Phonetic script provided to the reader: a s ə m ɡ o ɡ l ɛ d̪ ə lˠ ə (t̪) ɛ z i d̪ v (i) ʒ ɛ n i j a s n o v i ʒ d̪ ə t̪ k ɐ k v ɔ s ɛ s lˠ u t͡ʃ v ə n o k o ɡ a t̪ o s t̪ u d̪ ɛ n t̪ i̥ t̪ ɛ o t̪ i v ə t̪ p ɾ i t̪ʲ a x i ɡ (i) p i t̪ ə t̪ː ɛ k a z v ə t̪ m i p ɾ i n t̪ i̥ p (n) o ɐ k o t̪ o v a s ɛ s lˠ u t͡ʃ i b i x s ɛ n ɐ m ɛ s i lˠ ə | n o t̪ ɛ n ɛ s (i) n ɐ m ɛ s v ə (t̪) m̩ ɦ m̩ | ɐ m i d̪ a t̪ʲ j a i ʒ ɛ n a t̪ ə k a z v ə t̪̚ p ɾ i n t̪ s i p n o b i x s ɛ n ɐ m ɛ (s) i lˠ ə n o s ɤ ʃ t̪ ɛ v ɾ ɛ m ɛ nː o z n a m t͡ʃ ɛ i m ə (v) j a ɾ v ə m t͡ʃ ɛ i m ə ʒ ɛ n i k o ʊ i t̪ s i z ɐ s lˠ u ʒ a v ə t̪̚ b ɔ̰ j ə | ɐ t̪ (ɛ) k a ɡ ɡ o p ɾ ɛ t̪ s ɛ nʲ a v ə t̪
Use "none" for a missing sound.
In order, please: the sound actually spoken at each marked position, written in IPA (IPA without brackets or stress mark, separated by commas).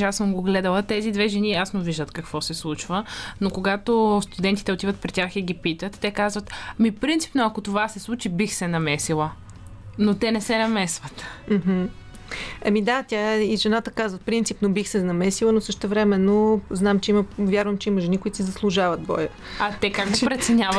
t̪, ɛ, i, n, ɛ, t̪, s, v, ɛ